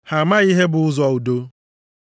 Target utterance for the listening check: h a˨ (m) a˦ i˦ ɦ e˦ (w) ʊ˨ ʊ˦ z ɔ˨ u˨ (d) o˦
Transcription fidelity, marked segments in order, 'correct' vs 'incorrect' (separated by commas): correct, incorrect, correct